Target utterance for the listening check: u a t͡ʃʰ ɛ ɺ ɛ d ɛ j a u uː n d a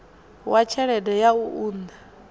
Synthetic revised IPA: w a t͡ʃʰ ɛ ɺ ɛ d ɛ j a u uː n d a